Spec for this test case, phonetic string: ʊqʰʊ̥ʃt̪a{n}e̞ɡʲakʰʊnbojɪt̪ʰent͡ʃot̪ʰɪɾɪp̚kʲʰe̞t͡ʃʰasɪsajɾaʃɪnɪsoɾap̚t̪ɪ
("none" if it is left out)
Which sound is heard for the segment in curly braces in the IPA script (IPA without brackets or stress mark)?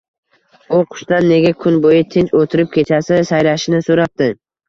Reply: nː